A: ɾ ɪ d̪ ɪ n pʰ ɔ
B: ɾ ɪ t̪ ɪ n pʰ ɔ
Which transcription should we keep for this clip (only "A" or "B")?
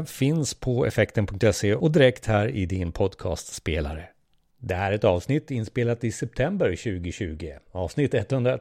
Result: A